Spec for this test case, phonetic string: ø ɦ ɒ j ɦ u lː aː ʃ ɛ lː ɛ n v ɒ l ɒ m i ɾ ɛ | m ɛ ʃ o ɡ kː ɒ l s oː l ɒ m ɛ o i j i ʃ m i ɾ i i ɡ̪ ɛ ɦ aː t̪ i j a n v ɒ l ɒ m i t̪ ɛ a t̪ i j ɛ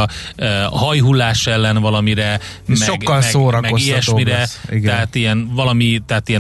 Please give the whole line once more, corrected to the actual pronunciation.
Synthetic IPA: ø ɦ ɒ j ɦ u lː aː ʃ ɛ lː ɛ n v ɒ l ɒ m i ɾ ɛ | m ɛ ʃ o ɡ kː ɒ l s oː ɾ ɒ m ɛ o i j ɛ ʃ m i ɾ ɛ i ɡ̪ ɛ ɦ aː t̪ i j ɛ n v ɒ l ɒ m i t̪ ɛ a t̪ i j ɛ